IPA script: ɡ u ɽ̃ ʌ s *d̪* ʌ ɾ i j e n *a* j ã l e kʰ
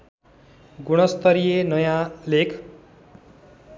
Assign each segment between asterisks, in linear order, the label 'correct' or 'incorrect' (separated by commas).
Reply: incorrect, incorrect